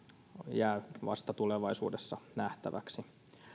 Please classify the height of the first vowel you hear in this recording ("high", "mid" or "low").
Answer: low